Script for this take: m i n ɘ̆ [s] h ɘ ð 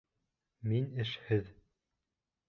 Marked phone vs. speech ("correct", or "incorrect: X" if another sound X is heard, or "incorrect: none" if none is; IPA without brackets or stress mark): incorrect: ʃ